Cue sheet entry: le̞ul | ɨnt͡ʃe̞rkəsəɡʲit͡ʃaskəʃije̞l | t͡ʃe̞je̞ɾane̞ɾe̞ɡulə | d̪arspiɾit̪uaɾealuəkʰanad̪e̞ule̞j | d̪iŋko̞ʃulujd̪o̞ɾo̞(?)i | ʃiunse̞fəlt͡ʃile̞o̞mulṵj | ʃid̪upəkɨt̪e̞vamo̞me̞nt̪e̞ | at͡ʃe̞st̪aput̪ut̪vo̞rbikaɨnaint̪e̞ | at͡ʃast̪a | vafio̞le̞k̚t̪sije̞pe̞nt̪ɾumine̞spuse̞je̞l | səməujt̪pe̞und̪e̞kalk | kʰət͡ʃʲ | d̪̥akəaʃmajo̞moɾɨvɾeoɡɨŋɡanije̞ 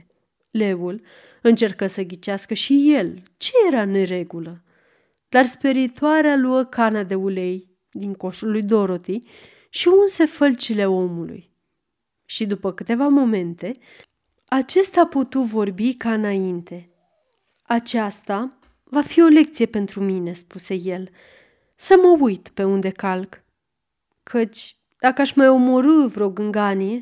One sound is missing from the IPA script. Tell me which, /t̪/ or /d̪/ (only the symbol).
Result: t̪